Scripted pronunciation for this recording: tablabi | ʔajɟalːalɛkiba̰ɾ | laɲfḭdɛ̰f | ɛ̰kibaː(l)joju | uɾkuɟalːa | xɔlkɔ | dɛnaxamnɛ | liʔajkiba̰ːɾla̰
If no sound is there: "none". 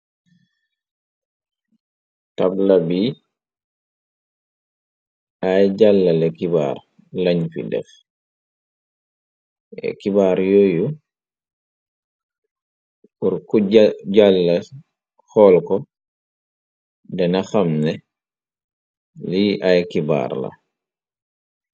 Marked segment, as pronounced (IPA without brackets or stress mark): ɾ